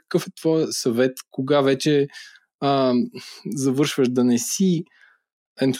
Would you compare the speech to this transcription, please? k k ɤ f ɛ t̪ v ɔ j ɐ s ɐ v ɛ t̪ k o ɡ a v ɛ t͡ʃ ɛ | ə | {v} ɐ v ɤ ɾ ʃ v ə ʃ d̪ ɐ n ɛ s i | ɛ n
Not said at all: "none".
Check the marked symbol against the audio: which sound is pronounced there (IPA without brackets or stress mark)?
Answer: z